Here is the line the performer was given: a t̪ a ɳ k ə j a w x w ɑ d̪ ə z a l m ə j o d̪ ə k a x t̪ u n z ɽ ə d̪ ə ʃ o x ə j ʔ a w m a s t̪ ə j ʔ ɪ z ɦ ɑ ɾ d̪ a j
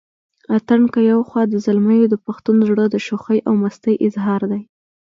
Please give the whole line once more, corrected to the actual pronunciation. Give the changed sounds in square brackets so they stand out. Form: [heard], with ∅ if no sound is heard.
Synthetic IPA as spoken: a t̪ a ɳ k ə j a w x w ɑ d̪ ə z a l m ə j o d̪ ə [p] a x t̪ u n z ɽ ə d̪ ə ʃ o x ə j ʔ a w m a s t̪ ə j ʔ ɪ z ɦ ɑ ɾ d̪ a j